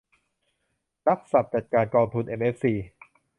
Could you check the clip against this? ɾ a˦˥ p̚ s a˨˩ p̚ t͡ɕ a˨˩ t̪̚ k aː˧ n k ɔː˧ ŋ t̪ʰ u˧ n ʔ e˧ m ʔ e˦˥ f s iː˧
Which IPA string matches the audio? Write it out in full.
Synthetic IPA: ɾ a˦˥ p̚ s a˨˩ p̚ t͡ɕ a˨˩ t̪̚ k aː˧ n k ɔː˧ ŋ t̪ʰ u˧ n ʔ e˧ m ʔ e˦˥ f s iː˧